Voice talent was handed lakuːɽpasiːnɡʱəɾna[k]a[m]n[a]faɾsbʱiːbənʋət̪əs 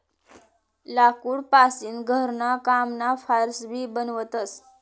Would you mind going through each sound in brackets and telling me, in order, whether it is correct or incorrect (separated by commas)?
correct, correct, correct